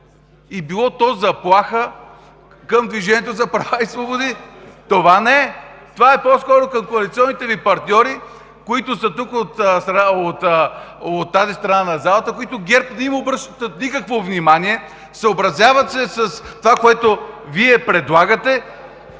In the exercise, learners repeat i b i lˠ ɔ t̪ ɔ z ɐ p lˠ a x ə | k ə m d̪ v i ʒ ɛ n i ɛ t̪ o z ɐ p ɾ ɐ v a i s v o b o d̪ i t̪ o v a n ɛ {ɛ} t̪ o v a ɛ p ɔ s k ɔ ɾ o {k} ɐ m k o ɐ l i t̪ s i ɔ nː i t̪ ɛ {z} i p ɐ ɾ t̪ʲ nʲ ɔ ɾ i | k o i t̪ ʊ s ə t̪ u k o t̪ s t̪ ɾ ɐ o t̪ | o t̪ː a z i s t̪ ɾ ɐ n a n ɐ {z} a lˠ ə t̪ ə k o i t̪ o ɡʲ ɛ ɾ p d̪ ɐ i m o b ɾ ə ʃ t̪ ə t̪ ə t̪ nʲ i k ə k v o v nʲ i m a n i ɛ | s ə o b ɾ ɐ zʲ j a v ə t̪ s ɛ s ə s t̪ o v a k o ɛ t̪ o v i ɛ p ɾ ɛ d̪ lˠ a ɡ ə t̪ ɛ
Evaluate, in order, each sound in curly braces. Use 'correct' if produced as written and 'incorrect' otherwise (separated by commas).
correct, correct, incorrect, correct